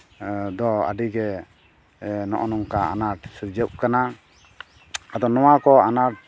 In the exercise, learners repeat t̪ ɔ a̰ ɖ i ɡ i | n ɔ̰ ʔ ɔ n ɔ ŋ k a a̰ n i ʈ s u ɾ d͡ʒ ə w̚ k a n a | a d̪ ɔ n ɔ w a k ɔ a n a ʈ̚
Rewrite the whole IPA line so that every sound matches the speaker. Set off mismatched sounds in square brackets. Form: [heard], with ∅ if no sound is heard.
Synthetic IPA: [d̪] ɔ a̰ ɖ i ɡ [ɛ] | n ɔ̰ ʔ ɔ n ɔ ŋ k a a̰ n [a] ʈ s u ɾ d͡ʒ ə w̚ k a n a | a d̪ ɔ n ɔ w a k ɔ a n a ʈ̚